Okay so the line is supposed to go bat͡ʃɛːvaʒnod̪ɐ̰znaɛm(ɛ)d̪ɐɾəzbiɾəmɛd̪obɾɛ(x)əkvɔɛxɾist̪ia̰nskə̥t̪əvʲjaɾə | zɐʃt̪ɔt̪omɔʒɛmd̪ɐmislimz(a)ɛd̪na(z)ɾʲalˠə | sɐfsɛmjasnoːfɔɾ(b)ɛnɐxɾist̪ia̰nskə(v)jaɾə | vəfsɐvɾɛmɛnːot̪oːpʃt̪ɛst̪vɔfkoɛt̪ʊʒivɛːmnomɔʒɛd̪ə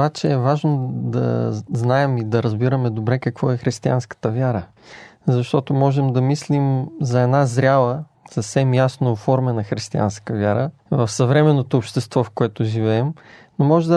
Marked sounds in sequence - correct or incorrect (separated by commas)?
incorrect, incorrect, incorrect, correct, incorrect, correct